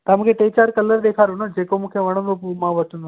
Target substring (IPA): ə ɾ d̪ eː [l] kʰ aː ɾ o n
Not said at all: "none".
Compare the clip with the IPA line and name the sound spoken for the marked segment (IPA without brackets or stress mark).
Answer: none